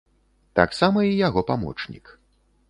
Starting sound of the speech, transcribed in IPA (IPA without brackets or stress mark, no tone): t̪